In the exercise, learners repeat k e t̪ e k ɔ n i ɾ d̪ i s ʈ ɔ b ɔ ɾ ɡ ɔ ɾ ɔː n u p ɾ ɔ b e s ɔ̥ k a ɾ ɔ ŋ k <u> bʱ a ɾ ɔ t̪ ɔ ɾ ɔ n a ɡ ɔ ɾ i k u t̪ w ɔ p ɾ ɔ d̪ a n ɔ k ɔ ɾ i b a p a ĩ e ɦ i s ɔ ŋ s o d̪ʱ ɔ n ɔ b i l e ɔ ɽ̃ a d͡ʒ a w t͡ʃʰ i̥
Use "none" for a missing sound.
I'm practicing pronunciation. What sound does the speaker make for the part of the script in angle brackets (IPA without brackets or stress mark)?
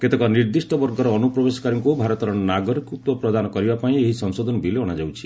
u